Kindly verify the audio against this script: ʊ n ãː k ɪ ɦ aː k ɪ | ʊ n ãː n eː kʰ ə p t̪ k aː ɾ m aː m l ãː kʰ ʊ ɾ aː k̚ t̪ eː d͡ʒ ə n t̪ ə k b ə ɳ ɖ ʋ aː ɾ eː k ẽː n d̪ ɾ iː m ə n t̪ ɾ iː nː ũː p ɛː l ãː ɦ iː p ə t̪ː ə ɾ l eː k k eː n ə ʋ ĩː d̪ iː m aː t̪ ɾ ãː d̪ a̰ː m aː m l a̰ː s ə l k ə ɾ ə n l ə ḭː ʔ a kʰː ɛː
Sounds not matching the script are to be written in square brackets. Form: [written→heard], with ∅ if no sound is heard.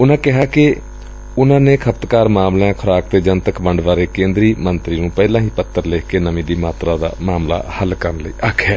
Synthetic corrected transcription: ʊ n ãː k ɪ ɦ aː k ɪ | ʊ n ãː n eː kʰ ə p t̪ k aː ɾ m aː m l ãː kʰ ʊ ɾ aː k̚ t̪ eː d͡ʒ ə n t̪ ə k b ə ɳ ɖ ʋ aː ɾ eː k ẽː n d̪ ɾ iː m ə n t̪ ɾ iː [nː→n] ũː p ɛː l ãː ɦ iː p ə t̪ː ə ɾ l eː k k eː n ə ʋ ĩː d̪ iː m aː t̪ ɾ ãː d̪ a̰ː m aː m l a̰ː [s→h] ə l k ə ɾ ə n l ə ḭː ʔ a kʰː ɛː